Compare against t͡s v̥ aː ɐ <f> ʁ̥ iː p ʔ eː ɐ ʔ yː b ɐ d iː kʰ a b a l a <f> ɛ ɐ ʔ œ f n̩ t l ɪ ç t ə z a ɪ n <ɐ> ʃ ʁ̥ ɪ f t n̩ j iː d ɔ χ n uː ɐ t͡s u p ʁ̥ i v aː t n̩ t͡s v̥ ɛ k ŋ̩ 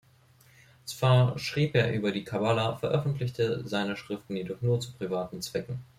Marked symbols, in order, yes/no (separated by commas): no, yes, no